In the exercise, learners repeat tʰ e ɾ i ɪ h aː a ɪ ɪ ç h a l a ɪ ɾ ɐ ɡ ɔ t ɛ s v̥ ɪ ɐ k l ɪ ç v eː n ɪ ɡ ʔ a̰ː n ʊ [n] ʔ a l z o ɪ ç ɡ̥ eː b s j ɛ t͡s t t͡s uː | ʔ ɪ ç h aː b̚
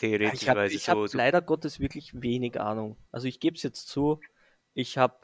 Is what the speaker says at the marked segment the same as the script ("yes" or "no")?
no